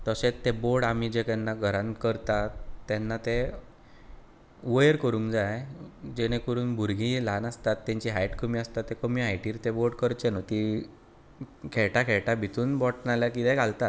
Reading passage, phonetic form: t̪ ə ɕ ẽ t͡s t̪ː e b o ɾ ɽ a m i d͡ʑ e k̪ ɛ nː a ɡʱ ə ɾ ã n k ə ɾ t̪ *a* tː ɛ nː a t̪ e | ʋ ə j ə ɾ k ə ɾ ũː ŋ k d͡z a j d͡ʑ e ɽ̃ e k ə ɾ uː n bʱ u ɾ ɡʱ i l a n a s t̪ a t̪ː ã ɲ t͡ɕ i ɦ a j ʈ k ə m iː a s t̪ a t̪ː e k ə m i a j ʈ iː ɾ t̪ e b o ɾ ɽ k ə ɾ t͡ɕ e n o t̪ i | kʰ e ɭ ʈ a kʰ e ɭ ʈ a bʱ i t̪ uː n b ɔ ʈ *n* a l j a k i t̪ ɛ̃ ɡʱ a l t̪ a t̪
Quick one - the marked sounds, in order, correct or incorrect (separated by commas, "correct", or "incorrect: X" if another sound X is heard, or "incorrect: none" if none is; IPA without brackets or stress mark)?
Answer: correct, correct